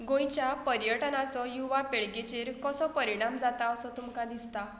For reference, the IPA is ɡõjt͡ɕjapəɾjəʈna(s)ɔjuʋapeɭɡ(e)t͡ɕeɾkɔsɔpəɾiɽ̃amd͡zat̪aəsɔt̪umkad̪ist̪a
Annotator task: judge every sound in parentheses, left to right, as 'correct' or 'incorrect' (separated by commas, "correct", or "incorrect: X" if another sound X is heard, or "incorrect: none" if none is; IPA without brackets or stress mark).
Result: incorrect: t͡s, correct